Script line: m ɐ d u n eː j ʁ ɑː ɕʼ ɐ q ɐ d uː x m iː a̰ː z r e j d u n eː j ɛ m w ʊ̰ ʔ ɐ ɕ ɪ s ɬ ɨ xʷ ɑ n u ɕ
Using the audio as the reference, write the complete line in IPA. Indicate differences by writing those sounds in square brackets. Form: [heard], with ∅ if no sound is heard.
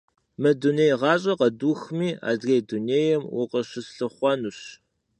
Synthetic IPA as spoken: m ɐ d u n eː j ʁ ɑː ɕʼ ɐ q ɐ d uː x m iː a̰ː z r e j d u n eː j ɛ m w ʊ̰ [q] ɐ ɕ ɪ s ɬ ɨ [χʷ] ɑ n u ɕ